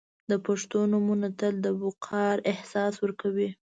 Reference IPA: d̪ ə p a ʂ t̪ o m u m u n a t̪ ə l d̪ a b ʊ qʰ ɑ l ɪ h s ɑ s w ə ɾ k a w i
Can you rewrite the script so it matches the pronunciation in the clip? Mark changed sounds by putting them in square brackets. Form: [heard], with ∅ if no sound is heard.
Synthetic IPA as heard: d̪ ə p a ʂ t̪ o [n] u m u n a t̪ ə l d̪ [ə] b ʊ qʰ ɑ [ɾ] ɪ h s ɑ s w ə ɾ k a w i